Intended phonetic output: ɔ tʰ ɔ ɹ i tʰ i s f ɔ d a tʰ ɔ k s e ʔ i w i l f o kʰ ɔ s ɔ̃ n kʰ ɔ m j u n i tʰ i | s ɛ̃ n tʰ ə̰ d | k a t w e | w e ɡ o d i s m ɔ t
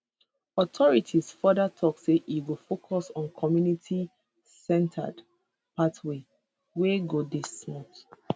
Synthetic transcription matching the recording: ɔ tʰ ɔ ɹ i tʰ i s f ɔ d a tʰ ɔ k s e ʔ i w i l f o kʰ ɔ s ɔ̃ n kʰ ɔ m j u n i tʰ i | s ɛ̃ n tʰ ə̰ d | p a t w e | w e ɡ o d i s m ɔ t